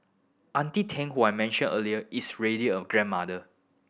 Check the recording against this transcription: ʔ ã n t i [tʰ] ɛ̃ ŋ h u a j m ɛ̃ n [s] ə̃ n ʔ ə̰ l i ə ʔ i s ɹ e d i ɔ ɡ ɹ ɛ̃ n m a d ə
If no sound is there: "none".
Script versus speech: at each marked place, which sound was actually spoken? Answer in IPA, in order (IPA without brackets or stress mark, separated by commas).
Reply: tʰ, ʃ